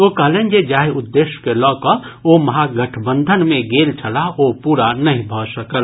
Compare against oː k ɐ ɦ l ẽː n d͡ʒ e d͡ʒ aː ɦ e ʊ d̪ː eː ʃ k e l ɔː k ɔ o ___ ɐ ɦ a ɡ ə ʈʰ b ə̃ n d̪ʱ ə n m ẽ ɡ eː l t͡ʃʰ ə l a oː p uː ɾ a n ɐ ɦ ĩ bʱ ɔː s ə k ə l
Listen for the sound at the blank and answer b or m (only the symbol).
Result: m